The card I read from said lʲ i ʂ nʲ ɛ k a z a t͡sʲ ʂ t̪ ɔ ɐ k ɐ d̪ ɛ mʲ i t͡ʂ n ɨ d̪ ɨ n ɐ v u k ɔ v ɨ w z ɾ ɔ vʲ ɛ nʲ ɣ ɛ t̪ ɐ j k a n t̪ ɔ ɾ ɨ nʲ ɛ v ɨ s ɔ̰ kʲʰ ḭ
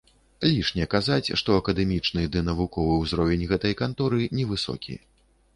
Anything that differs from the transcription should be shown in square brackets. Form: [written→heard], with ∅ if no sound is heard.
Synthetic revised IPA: lʲ i ʂ nʲ ɛ k a z a t͡sʲ ʂ t̪ ɔ ɐ k ɐ d̪ ɛ mʲ i t͡ʂ n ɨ d̪ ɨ n ɐ v u k ɔ v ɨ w z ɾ ɔ vʲ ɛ nʲ ɣ ɛ t̪ ɐ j k a n t̪ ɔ ɾ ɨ nʲ ɛ v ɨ s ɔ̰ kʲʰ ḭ